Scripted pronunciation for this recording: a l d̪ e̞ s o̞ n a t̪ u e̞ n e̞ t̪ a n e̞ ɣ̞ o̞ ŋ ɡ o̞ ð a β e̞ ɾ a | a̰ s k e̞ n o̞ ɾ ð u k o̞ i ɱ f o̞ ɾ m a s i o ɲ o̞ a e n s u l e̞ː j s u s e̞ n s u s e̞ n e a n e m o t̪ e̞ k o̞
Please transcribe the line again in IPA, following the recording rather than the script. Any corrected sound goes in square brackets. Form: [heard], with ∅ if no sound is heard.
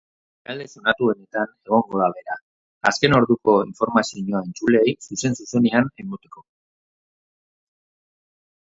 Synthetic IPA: a l d̪ e̞ s o̞ n a t̪ u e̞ n e̞ t̪ a n e̞ ɣ̞ o̞ ŋ ɡ o̞ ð a β e̞ ɾ a | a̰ s k e̞ n o̞ ɾ ð u k o̞ i ɱ f o̞ ɾ m a s i o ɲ o̞ a e n [t͡s] u l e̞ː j s u s e̞ n s u s e̞ n e a n e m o t̪ e̞ k o̞